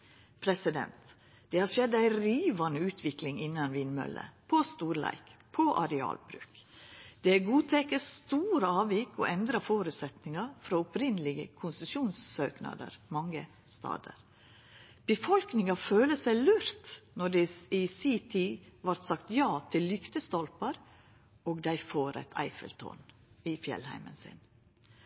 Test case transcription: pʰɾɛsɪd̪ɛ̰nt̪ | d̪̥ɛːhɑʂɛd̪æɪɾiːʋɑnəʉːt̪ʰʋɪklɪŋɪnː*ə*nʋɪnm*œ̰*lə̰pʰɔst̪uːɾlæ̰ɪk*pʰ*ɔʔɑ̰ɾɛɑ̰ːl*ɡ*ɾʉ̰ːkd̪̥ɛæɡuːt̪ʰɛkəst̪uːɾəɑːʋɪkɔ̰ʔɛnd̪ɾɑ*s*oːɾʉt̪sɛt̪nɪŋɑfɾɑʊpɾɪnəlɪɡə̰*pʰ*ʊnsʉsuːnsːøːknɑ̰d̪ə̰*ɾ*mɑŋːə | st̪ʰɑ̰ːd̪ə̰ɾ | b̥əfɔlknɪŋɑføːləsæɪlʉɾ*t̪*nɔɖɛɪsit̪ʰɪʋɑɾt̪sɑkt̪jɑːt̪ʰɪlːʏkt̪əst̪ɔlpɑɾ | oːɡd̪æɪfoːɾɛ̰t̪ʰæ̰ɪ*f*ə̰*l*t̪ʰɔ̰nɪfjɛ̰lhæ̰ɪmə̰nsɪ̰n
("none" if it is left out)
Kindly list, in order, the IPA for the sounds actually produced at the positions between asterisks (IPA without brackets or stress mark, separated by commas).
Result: ɑ, œ̰, pʰ, b, f, kʰ, ɾ, t̪, f, l